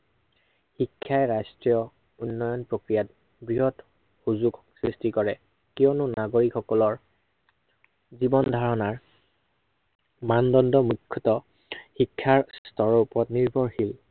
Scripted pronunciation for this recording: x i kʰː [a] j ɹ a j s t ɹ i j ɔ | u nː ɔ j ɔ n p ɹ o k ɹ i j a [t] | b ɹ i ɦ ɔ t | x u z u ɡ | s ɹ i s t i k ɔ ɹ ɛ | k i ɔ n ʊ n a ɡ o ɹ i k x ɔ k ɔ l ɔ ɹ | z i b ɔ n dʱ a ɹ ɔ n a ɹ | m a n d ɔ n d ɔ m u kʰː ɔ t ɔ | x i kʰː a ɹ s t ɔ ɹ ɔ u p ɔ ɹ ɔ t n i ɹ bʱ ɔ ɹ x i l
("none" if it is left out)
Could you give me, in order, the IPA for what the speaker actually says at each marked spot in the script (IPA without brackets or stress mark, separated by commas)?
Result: a, t